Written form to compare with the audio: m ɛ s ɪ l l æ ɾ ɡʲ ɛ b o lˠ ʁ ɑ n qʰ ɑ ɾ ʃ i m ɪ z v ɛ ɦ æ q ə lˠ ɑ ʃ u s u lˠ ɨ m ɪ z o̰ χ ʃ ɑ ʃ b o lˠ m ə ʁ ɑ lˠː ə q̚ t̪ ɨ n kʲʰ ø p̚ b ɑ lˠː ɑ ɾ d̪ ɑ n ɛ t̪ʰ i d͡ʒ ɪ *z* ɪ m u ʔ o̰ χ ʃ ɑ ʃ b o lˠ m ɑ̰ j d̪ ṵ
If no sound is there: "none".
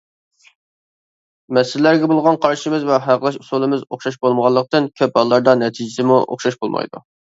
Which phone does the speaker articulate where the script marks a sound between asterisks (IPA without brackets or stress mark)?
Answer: s